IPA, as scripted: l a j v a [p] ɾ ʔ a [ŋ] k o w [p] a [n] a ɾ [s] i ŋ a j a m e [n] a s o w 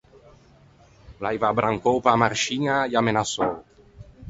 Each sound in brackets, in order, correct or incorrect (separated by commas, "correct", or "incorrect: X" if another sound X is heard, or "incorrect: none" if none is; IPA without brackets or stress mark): incorrect: b, correct, correct, incorrect: m, incorrect: ʃ, correct